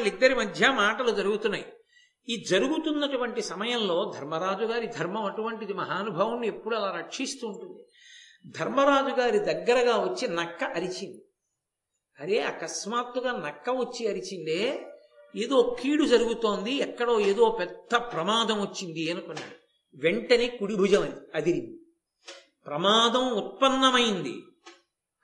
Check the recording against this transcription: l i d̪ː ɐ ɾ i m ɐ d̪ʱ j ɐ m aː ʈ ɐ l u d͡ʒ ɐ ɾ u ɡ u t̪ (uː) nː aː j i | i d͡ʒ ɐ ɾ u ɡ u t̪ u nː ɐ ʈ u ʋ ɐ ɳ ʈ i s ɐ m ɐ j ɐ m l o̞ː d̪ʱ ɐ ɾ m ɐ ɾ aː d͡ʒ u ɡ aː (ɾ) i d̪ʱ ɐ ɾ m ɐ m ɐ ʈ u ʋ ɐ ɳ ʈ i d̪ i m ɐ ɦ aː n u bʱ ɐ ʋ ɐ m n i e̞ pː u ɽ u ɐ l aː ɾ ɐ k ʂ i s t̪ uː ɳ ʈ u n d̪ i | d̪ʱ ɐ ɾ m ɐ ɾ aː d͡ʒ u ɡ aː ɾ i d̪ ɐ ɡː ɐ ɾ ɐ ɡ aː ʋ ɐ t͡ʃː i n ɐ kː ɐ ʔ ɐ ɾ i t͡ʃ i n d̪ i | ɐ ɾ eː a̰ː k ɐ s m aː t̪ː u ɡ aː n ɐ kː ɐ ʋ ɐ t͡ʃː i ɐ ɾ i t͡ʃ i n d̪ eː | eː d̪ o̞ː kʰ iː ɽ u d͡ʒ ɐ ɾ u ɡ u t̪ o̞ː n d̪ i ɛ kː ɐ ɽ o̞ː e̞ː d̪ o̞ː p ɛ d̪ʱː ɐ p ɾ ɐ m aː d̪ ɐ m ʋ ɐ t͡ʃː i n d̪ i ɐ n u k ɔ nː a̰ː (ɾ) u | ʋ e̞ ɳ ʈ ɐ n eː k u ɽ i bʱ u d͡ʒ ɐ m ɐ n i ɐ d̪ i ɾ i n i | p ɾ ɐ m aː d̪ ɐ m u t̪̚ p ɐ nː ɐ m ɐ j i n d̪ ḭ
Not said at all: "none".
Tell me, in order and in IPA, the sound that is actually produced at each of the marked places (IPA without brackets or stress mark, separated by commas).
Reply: u, ɾ, ɽ